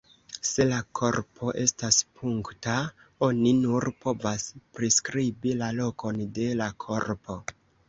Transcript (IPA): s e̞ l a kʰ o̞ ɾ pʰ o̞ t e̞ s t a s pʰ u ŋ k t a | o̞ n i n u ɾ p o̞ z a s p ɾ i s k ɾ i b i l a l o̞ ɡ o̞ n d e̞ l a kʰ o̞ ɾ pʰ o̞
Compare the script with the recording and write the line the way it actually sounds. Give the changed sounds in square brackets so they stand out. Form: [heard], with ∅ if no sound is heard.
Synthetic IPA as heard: s e̞ l a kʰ o̞ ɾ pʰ o̞ [ʔ] e̞ s t a s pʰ u ŋ k t a | o̞ n i n u ɾ p o̞ [v] a s p ɾ i s k ɾ i b i l a l o̞ [k] o̞ n d e̞ l a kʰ o̞ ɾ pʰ o̞